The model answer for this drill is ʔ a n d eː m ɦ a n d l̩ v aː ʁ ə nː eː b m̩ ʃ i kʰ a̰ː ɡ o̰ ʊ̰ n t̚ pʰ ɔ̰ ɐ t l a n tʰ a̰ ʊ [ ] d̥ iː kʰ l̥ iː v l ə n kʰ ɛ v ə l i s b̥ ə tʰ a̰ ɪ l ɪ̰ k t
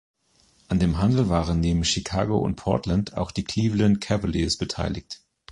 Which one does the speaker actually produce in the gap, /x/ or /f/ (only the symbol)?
x